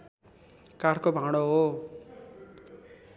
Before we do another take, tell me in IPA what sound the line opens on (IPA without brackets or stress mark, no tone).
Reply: k